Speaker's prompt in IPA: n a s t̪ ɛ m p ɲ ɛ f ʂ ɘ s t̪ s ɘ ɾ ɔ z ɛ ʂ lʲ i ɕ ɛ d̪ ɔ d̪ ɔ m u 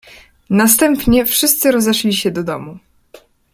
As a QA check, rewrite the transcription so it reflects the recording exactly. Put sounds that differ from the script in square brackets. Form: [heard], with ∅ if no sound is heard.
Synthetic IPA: n a s t̪ ɛ m p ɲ ɛ f ʂ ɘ s t̪ s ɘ ɾ ɔ z ɛ ʂ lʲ i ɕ ɛ d̪ ɔ d̪ ɔ m u